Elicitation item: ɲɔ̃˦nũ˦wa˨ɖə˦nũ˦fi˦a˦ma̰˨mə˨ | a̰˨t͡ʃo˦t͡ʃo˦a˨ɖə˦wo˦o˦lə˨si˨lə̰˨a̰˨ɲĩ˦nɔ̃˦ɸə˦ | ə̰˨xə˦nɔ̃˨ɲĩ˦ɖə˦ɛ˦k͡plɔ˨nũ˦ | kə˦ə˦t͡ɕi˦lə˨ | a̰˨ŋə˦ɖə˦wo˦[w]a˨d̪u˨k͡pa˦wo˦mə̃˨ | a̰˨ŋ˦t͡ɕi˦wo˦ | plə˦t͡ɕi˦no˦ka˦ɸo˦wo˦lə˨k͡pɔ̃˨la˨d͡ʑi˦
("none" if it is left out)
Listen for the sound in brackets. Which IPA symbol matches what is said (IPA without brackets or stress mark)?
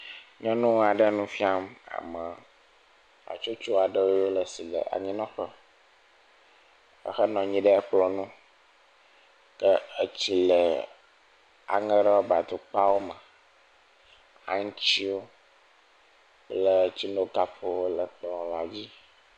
b